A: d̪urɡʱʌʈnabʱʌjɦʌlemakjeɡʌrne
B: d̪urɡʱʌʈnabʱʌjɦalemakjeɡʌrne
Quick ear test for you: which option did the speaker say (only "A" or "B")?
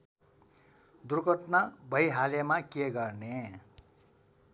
B